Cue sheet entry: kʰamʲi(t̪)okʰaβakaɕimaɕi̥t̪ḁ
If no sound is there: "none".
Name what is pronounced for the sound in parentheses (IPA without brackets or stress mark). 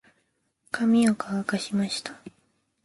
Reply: none